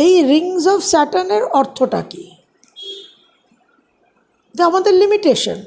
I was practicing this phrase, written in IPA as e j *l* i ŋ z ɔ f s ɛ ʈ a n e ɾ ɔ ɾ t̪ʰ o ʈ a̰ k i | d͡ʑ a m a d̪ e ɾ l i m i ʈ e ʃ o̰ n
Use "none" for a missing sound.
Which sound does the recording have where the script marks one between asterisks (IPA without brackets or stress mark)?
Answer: ɾ